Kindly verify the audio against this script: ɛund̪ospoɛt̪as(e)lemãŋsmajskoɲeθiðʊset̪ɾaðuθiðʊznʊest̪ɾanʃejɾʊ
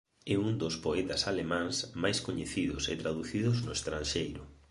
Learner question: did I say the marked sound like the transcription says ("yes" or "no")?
no